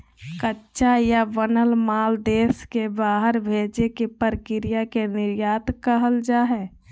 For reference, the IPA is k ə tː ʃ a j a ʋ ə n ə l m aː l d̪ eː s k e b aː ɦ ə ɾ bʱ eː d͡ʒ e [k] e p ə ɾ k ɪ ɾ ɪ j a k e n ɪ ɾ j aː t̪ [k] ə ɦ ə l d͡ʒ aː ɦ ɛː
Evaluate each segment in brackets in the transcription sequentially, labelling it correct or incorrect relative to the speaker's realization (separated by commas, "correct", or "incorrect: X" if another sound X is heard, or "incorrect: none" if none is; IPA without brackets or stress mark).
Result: correct, correct